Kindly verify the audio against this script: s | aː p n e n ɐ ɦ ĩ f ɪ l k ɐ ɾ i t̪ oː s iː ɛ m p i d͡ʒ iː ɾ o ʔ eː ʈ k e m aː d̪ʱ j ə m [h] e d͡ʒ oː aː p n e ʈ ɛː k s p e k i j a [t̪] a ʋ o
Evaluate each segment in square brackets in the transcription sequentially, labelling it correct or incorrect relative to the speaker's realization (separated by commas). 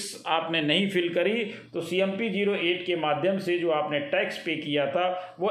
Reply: incorrect, incorrect